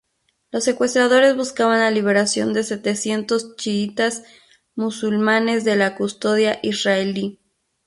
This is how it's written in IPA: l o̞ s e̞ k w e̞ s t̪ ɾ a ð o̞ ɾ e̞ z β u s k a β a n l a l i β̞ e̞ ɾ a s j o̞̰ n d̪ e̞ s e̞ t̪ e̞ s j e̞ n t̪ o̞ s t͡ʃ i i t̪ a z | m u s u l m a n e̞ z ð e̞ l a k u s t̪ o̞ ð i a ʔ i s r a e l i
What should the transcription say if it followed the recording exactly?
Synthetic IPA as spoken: l o̞ s e̞ k w e̞ s t̪ ɾ a ð o̞ ɾ e̞ z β u s k a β a n l a l i β̞ e̞ ɾ a s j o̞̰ n d̪ e̞ s e̞ t̪ e̞ s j e̞ n t̪ o̞ s t͡ʃ i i t̪ a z | m u s u l m a n e̞ z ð e̞ l a k u s t̪ o̞ ð j a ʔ i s r a e l i